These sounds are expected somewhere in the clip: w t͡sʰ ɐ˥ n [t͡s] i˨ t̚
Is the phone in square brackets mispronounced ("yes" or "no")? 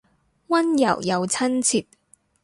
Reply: yes